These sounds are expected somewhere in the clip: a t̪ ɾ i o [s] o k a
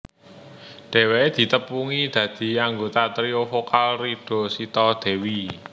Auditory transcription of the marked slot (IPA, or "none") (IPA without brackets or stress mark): f